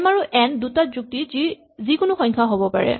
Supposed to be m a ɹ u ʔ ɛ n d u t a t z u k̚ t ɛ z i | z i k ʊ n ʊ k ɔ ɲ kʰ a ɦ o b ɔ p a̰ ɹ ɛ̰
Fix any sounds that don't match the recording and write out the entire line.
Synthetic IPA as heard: m a ɹ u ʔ ɛ n d u t a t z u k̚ t i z i | z i k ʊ n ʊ x ɔ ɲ kʰ a ɦ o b ɔ p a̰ ɹ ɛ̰